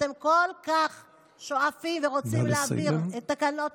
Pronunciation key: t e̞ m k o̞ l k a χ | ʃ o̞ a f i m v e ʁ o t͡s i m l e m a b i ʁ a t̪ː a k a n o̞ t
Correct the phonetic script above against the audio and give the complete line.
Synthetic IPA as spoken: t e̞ m k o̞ l k a χ | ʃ o̞ a f i m v e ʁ o t͡s i m l e a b i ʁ e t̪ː a k a n o̞ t